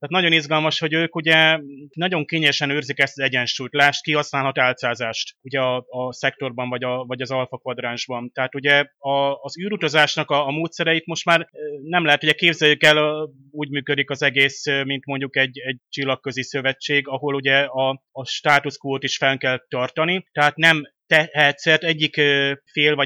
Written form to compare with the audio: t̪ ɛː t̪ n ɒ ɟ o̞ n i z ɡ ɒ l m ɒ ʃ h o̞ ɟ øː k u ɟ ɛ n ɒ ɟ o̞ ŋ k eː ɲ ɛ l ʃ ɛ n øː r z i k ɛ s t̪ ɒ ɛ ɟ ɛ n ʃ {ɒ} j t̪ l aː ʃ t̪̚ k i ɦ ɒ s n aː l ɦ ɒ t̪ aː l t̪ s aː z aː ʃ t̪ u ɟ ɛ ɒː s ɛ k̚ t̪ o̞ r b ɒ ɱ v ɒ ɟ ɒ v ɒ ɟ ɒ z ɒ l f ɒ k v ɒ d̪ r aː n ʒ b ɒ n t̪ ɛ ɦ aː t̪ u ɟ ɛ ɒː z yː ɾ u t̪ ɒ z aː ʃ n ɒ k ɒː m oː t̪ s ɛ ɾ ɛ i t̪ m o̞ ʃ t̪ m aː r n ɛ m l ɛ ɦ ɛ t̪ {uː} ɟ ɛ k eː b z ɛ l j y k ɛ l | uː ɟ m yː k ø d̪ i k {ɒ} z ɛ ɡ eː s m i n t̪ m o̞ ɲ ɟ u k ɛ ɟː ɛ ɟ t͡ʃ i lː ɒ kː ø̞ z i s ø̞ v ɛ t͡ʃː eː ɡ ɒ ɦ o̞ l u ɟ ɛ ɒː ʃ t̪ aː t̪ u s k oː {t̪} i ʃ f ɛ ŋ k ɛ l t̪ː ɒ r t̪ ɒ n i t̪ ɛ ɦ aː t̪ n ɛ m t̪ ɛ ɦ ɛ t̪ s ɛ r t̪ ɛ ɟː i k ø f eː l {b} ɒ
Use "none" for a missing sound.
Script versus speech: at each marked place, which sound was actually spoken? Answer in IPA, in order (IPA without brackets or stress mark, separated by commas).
u, u, ɒ, t̪, v